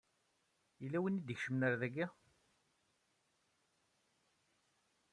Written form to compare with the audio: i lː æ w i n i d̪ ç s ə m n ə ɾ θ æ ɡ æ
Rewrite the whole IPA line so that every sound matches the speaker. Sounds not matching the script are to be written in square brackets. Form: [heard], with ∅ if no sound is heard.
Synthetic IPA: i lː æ w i n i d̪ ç [ʃ] ə m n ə ɾ [ð] æ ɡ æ